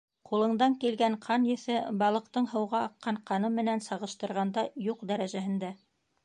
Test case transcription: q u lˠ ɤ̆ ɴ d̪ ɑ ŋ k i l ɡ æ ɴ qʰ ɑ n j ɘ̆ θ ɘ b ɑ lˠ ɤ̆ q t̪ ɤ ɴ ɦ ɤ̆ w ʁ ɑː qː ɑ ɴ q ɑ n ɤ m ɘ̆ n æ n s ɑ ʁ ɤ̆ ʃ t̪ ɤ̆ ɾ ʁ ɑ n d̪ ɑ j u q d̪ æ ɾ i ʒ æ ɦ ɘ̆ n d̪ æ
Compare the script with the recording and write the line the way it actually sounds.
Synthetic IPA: q u lˠ ɤ̆ ɴ d̪ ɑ ŋ k i l ɡ æ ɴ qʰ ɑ n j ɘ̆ θ ɘ b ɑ lˠ ɤ̆ q t̪ ɤ ɴ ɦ ɤ̆ w ʁ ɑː qː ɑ ɴ q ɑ n ɤ m ɘ̆ n æ n s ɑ ʁ ɤ̆ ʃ t̪ ɤ̆ ɾ ʁ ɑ n d̪ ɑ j u q d̪ æ ɾ æ ʒ æ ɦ ɘ̆ n d̪ æ